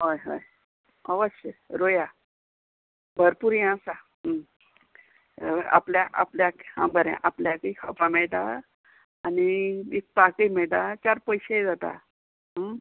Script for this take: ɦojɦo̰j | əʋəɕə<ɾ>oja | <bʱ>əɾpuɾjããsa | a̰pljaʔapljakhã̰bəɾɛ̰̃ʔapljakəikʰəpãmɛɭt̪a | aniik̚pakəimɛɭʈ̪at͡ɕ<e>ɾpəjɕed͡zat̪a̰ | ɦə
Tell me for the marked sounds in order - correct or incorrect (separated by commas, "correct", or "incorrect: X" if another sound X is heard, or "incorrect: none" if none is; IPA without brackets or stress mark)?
correct, correct, incorrect: a